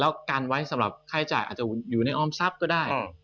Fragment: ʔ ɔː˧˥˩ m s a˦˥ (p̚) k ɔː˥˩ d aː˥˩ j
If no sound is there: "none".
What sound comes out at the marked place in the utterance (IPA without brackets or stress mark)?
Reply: p̚